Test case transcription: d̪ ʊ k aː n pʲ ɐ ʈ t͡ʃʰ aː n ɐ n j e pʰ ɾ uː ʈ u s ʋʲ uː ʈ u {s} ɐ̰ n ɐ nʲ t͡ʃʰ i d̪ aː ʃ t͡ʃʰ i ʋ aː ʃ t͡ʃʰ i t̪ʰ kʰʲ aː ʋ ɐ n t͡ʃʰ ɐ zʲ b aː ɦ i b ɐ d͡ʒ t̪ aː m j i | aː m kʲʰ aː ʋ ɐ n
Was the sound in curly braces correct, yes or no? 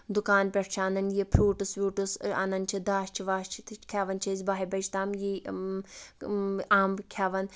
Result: yes